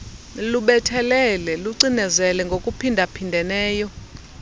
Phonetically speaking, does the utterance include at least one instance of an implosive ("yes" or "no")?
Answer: yes